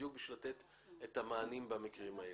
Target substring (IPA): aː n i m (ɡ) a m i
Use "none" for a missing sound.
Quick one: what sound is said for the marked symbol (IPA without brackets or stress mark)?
b